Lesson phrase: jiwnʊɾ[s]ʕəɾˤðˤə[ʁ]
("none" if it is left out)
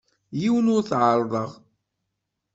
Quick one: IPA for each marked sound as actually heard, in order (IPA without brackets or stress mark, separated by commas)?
θ, ʁ